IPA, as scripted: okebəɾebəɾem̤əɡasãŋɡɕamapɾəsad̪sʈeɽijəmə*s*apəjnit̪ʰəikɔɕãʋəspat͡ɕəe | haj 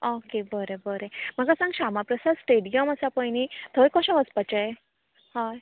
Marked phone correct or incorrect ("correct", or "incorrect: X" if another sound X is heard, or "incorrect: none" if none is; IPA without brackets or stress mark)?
correct